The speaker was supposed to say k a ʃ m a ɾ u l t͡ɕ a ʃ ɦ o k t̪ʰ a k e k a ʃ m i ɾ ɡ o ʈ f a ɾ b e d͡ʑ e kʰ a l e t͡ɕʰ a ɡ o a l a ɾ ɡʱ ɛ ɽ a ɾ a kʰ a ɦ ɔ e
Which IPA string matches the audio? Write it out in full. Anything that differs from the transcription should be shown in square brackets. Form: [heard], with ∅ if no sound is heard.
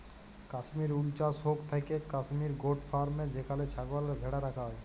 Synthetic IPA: k a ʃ m [i] ɾ u l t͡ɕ a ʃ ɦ o k t̪ʰ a k e k a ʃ m i ɾ ɡ o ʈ f a ɾ [m] e d͡ʑ e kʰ a l e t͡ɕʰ a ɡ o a l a ɾ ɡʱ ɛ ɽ a ɾ a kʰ a ɦ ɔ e